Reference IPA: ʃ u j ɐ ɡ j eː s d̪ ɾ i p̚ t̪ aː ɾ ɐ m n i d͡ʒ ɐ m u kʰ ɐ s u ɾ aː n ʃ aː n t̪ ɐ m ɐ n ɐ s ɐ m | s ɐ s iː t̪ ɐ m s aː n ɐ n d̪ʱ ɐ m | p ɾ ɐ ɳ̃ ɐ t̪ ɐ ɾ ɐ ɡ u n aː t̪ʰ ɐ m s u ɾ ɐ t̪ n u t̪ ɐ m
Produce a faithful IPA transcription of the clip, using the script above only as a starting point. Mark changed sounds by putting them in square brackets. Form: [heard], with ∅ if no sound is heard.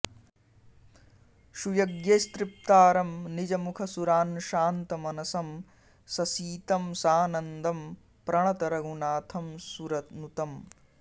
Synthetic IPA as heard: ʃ u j ɐ ɡ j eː s [t̪] ɾ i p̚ t̪ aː ɾ ɐ m n i d͡ʒ ɐ m u kʰ ɐ s u ɾ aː n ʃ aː n t̪ ɐ m ɐ n ɐ s ɐ m | s ɐ s iː t̪ ɐ m s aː n ɐ n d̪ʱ ɐ m | p ɾ ɐ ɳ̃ ɐ t̪ ɐ ɾ ɐ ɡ u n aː t̪ʰ ɐ m s u ɾ ɐ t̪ n u t̪ ɐ m